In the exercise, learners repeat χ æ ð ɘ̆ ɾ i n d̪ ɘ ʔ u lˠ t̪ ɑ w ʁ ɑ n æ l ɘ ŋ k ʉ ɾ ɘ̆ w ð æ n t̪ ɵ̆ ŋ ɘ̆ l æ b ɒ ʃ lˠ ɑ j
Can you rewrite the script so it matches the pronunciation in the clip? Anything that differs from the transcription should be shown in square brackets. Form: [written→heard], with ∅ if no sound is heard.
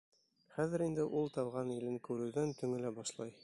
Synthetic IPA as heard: χ æ ð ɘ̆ ɾ i n d̪ ɘ ʔ u lˠ t̪ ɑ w ʁ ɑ n [æ→i] l ɘ ŋ k ʉ ɾ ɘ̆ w ð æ n t̪ ɵ̆ ŋ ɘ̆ l æ b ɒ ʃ lˠ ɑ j